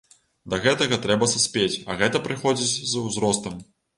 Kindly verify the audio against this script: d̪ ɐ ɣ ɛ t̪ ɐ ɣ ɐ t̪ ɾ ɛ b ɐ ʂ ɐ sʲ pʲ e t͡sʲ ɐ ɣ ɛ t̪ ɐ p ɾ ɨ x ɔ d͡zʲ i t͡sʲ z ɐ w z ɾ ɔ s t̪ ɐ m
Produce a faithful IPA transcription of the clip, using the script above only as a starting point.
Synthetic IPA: d̪ ɐ ɣ ɛ t̪ ɐ ɣ ɐ t̪ ɾ ɛ b ɐ s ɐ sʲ pʲ e t͡sʲ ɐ ɣ ɛ t̪ ɐ p ɾ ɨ x ɔ d͡zʲ i t͡sʲ z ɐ w z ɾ ɔ s t̪ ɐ m